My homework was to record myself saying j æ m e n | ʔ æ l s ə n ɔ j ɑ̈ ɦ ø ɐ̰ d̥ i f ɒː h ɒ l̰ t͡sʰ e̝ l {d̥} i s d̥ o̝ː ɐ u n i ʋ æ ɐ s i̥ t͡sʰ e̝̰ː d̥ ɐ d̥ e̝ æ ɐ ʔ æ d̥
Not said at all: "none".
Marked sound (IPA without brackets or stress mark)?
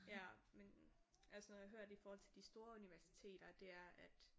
d̥